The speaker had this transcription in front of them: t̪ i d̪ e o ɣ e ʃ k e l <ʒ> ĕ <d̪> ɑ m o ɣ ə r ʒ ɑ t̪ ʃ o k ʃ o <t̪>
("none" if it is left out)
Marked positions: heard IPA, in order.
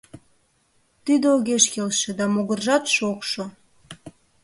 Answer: ʃ, d̪, none

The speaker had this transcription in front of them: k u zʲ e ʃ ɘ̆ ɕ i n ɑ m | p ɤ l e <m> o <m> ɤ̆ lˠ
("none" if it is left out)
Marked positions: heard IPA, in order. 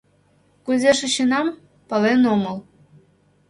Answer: n, m

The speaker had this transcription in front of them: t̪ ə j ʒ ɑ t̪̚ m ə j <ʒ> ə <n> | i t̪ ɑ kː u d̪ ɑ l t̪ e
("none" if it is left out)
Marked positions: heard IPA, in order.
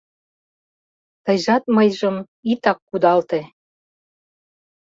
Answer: ʒ, m

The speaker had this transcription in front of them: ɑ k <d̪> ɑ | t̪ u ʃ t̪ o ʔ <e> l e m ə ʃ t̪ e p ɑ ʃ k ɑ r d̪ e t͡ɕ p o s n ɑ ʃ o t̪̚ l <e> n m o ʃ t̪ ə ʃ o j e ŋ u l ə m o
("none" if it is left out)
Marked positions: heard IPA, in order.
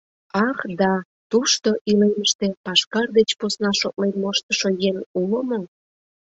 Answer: d̪, i, e

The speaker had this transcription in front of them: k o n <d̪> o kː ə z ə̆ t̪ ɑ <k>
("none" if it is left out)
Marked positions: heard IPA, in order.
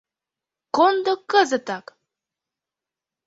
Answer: d̪, k

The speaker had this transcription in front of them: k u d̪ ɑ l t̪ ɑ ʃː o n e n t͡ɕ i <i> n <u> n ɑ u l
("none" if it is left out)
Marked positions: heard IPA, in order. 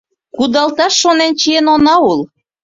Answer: e, o

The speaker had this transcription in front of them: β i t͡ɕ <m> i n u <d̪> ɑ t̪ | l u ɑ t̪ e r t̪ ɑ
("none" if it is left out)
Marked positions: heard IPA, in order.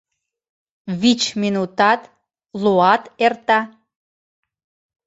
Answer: m, t̪

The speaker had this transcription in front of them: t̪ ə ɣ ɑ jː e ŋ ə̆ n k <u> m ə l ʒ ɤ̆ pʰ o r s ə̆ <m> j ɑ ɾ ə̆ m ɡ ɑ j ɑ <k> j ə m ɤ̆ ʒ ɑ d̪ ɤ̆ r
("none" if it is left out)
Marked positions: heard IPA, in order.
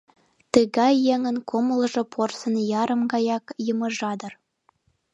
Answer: o, n, k

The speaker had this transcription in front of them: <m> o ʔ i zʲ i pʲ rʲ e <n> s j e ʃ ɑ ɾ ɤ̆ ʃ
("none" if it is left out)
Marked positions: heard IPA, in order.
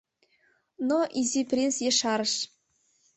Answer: n, n

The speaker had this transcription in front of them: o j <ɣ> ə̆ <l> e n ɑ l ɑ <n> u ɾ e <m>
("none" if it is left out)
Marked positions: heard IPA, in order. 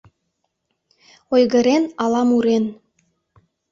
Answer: ɣ, ɾ, m, n

